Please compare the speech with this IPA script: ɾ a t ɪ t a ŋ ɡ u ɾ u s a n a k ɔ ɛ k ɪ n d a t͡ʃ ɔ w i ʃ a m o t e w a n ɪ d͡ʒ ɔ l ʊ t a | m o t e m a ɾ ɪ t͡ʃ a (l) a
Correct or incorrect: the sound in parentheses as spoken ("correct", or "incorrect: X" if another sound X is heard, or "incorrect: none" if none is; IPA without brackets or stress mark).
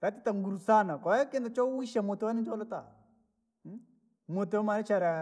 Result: incorrect: ɾ